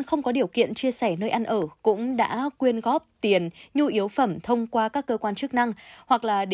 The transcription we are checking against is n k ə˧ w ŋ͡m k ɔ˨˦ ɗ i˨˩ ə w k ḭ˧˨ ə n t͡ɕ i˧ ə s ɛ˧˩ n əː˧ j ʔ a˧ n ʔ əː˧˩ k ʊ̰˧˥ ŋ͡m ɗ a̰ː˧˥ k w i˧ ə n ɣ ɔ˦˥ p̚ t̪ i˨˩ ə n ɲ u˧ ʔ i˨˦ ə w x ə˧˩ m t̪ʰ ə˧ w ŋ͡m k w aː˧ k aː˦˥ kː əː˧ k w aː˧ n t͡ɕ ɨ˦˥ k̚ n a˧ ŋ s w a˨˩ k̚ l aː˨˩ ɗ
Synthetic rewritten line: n x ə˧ w ŋ͡m k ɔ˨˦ ɗ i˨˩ ə w k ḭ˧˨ ə n t͡ɕ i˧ ə s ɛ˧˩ n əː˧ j ʔ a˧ n ʔ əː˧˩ k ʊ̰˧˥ ŋ͡m ɗ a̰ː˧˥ k w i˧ ə n ɣ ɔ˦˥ p̚ t̪ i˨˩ ə n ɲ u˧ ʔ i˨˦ ə w f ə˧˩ m t̪ʰ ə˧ w ŋ͡m k w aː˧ k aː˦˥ kː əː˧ k w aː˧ n t͡ɕ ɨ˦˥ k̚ n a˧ ŋ h w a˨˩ k̚ l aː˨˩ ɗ